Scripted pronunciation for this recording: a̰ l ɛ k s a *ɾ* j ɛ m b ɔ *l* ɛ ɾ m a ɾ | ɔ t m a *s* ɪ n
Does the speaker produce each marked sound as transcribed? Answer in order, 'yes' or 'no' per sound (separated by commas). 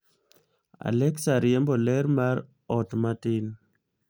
yes, yes, no